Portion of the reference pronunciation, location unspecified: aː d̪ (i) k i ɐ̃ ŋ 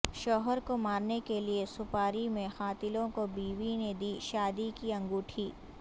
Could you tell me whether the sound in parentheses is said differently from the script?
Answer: no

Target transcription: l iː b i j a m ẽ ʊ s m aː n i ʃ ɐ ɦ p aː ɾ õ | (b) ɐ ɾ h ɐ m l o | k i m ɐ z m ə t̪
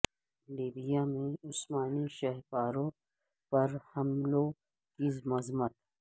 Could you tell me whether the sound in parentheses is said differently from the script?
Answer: yes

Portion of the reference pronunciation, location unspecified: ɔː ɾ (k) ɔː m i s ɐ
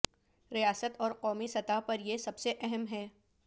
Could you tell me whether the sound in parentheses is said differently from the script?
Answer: yes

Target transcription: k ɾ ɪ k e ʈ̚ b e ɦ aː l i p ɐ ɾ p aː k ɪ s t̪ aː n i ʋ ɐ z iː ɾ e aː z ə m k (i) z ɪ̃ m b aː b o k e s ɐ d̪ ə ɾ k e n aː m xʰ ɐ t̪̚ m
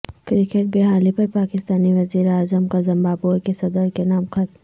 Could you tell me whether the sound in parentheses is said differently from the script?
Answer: yes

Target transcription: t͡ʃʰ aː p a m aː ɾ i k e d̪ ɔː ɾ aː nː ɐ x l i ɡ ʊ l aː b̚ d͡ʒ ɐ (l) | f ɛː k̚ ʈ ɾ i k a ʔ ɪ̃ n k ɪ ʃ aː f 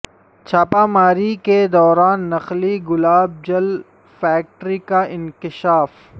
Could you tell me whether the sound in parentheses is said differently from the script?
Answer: no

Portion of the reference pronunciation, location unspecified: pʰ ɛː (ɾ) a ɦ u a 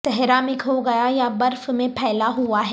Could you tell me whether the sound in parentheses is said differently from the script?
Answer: yes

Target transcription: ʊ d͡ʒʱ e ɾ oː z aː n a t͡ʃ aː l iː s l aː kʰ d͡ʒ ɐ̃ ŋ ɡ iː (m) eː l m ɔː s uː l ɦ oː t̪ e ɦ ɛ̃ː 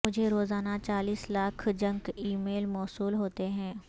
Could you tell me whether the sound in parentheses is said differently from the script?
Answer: no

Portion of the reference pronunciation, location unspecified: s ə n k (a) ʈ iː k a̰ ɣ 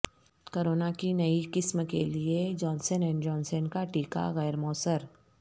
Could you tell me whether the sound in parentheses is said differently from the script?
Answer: no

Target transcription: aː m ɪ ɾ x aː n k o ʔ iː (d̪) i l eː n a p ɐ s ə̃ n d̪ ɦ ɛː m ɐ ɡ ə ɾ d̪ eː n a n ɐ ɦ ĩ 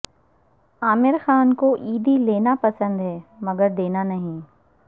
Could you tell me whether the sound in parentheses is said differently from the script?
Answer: no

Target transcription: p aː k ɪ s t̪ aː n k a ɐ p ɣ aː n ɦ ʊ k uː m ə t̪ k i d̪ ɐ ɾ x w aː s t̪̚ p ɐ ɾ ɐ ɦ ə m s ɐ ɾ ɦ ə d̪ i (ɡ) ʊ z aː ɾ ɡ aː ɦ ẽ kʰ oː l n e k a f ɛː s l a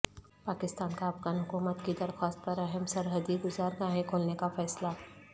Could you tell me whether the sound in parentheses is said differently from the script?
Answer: no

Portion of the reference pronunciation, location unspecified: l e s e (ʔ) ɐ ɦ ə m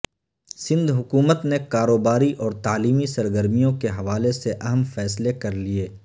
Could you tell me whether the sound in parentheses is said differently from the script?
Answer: no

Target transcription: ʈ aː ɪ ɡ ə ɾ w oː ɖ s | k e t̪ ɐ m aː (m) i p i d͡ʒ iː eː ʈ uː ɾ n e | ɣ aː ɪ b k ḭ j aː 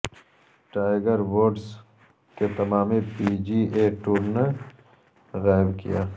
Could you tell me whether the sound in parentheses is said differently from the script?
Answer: no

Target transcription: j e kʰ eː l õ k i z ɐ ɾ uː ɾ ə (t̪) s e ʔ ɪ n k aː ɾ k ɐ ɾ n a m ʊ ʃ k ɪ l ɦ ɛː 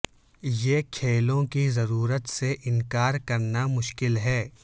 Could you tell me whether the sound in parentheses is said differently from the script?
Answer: no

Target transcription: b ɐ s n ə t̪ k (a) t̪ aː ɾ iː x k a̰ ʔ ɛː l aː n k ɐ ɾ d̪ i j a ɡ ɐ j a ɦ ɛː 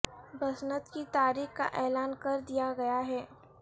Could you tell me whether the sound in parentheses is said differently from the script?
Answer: yes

